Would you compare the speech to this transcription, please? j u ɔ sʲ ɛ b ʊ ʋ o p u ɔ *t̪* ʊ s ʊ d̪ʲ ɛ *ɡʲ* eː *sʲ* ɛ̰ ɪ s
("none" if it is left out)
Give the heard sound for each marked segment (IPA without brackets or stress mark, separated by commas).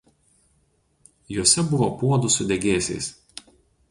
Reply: d̪, ɡʲ, sʲ